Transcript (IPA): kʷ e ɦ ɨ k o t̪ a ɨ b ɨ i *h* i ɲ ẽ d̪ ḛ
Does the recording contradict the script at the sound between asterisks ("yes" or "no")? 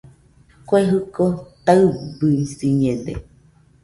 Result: yes